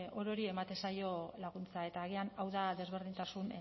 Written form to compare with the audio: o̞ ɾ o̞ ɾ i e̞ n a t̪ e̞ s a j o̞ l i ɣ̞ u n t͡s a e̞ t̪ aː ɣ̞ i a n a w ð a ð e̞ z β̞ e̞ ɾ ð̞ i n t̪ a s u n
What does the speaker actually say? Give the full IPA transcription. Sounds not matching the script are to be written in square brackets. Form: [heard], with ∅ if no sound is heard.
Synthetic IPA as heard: o̞ ɾ o̞ ɾ i e̞ [m] a t̪ e̞ s a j o̞ l [a] ɣ̞ u n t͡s a e̞ t̪ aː ɣ̞ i a n a w ð a ð e̞ z β̞ e̞ ɾ ð̞ i n t̪ a s u n